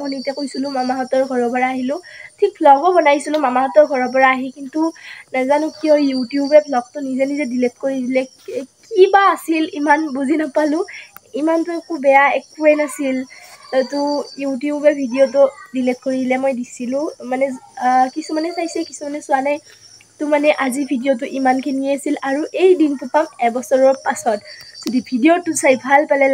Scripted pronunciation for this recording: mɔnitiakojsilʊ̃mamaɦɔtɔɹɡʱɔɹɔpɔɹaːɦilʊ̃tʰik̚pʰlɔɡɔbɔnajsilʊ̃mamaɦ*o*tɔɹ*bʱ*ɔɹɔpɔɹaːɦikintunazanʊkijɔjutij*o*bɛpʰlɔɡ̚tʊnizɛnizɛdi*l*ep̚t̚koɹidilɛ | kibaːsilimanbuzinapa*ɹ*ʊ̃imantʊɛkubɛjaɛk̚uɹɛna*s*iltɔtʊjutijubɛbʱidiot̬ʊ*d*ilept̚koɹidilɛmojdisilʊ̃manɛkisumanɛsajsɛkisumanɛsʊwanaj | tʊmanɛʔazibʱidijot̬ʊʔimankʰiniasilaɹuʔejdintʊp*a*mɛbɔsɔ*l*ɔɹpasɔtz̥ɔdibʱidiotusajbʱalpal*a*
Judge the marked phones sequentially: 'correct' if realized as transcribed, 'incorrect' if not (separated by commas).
incorrect, incorrect, incorrect, correct, incorrect, correct, correct, correct, incorrect, incorrect